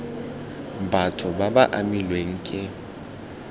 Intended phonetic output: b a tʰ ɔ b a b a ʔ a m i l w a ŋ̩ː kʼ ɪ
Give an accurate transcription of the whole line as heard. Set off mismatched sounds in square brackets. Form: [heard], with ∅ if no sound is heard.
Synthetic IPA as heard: b a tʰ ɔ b a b a ʔ a m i l w [e] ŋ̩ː kʼ ɪ